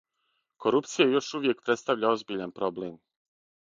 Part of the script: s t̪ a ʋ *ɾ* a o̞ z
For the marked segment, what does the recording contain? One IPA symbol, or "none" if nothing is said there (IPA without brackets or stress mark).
ʎ